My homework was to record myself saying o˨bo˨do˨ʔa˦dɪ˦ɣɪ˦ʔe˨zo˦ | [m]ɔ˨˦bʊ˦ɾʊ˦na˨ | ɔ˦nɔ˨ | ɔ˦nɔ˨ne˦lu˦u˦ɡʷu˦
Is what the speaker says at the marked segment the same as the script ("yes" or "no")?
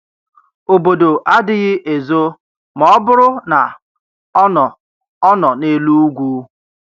yes